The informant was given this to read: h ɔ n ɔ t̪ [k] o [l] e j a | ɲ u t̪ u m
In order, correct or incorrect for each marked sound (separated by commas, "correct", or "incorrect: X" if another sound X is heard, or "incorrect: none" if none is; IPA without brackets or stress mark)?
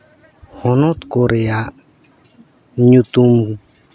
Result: correct, incorrect: ɾ